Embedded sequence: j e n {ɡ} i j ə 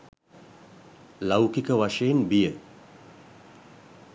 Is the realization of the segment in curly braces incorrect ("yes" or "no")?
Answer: yes